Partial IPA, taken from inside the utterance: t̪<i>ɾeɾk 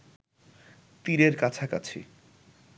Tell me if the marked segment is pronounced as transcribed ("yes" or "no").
yes